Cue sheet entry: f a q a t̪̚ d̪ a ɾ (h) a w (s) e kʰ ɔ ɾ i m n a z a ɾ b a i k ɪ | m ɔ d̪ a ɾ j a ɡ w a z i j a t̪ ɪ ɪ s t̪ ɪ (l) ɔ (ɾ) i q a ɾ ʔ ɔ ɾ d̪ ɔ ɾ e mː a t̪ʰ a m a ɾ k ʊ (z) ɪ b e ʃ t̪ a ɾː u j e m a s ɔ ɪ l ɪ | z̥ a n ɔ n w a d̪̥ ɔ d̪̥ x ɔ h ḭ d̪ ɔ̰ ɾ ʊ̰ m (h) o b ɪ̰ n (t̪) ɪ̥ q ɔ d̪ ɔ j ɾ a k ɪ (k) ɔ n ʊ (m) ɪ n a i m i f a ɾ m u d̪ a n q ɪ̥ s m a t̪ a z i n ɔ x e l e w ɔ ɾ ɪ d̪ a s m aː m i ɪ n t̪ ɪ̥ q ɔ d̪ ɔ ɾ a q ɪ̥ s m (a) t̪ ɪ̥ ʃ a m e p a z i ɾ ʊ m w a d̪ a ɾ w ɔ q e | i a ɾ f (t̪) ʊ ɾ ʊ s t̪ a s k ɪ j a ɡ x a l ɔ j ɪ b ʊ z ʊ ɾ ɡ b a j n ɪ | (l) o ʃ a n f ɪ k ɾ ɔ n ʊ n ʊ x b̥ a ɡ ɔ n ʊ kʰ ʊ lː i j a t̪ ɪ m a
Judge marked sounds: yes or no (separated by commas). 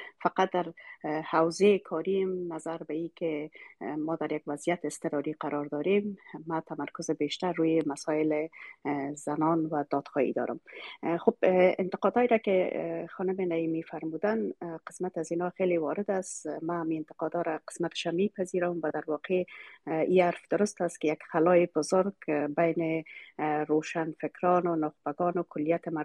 yes, no, no, yes, yes, no, yes, no, yes, yes, no, no